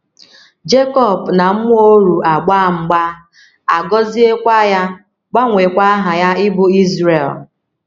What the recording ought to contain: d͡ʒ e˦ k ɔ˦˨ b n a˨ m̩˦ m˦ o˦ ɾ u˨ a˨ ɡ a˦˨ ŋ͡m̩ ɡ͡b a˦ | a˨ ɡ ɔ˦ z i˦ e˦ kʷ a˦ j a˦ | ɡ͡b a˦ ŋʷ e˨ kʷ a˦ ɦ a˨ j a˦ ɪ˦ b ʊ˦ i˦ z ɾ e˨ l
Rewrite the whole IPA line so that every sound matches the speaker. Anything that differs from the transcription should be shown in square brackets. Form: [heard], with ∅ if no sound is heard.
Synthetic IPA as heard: d͡ʒ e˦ k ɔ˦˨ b n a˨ m̩˦ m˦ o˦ ɾ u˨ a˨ [ɡ͡b] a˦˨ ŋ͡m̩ ɡ͡b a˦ | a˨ ɡ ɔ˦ z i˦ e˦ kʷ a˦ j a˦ | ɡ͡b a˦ ŋʷ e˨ kʷ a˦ ɦ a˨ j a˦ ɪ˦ b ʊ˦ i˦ z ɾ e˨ l